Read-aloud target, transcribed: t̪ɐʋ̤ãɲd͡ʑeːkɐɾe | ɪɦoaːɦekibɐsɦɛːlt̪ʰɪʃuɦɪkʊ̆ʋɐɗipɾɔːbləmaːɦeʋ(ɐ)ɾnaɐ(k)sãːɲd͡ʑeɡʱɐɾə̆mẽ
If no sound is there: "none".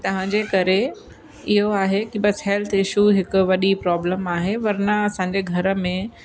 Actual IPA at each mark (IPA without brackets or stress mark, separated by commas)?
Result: ɐ, none